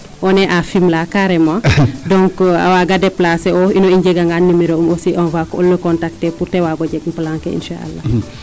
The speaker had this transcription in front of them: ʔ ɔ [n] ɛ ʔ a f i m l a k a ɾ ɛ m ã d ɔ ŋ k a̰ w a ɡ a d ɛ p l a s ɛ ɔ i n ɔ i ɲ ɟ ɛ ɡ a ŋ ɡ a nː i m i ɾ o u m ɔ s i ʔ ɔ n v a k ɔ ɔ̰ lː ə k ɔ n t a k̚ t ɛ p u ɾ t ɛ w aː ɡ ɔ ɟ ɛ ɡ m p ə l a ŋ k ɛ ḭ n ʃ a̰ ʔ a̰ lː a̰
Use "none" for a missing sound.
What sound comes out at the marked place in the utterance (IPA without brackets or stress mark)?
n